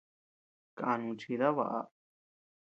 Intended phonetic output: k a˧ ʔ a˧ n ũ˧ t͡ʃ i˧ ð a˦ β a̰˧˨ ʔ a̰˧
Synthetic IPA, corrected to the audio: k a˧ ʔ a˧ n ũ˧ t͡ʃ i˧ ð a˦ β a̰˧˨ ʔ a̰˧